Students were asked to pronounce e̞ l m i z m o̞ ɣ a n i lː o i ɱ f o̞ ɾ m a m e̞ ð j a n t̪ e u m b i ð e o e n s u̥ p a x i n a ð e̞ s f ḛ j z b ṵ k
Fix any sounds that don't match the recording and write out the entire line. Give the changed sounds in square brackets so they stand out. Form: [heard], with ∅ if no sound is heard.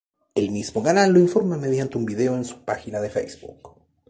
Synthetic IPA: e̞ l m i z m o̞ ɣ a n [a] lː o i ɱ f o̞ ɾ m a m e̞ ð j a n t̪ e u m b i ð e o e n s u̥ p a x i n a ð e̞ [∅] f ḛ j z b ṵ k